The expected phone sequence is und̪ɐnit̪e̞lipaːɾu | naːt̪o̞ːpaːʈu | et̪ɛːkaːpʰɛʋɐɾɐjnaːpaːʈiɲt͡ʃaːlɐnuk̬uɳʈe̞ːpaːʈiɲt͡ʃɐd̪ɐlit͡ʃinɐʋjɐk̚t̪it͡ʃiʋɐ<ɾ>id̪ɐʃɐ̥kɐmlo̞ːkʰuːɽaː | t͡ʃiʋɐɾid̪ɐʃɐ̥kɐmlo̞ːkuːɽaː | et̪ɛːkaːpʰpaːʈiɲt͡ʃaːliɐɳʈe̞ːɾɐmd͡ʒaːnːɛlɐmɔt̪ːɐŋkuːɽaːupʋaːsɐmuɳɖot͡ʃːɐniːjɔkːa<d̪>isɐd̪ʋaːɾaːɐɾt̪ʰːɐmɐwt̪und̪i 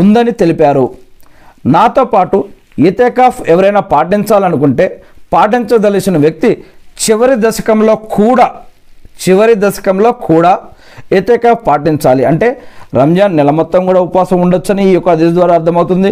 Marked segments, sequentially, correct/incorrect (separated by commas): correct, correct